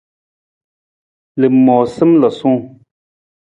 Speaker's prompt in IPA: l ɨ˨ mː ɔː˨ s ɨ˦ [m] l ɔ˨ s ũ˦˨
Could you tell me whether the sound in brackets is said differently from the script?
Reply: no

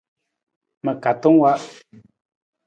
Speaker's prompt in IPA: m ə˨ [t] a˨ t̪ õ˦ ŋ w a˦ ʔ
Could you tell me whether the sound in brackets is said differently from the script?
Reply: yes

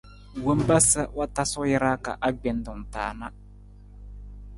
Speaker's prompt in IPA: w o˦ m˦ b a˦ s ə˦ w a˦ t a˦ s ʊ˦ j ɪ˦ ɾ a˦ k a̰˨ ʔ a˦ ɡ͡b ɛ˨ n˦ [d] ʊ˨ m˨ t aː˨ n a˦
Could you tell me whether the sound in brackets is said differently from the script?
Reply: no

